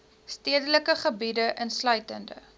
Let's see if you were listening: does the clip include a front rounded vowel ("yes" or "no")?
yes